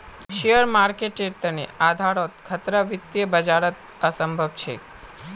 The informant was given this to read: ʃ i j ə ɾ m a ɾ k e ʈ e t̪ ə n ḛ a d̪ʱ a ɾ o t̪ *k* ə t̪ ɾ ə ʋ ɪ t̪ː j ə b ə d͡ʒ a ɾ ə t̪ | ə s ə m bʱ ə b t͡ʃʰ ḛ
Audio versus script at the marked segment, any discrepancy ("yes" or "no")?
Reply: yes